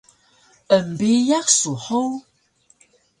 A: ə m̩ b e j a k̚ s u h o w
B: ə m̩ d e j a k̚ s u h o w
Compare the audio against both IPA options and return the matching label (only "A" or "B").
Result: A